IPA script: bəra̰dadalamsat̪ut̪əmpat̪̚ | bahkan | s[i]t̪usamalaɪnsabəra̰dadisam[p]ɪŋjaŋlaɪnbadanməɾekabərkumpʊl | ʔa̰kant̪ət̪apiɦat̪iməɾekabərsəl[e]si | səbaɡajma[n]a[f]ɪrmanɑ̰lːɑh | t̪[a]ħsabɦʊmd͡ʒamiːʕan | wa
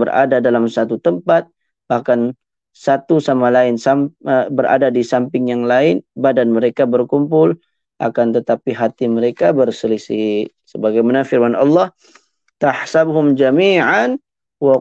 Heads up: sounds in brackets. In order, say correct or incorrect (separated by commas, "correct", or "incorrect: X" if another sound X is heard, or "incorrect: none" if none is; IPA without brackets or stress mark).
incorrect: a, correct, incorrect: i, correct, correct, correct